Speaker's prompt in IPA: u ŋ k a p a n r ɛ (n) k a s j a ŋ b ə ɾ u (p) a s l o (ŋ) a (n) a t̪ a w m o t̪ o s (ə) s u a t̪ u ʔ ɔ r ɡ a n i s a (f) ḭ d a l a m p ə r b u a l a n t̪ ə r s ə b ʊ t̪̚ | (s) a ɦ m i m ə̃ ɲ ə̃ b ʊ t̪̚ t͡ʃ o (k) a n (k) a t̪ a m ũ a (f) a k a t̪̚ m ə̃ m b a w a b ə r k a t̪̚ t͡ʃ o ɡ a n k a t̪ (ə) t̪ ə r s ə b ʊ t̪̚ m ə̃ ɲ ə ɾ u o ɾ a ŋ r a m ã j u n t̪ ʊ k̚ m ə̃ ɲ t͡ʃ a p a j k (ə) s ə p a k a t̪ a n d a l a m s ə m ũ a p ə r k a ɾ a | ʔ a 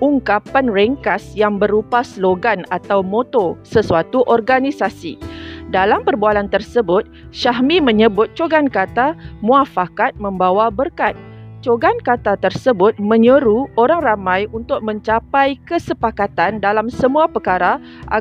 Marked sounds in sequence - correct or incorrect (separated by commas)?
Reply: incorrect, correct, incorrect, correct, correct, incorrect, incorrect, incorrect, correct, correct, incorrect, correct